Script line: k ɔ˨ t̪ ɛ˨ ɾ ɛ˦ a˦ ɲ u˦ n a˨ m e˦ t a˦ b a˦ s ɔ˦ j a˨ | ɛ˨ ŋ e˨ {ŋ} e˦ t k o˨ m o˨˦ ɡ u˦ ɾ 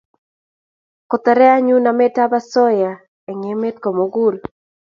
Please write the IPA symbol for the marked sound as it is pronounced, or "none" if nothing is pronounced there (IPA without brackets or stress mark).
m